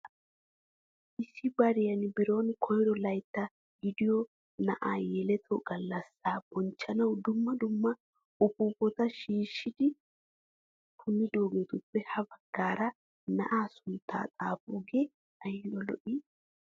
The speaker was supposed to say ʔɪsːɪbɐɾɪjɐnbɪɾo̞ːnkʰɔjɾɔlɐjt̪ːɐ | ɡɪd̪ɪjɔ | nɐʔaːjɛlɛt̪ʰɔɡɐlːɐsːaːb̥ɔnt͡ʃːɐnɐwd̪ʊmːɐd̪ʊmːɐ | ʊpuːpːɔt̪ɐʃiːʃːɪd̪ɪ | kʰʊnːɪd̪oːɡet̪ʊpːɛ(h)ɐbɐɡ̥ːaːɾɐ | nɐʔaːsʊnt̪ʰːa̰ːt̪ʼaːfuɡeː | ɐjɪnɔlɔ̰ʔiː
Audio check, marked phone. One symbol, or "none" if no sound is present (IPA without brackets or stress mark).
h